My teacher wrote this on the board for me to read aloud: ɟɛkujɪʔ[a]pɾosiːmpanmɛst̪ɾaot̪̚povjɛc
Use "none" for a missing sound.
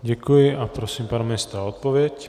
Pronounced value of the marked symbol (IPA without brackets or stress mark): a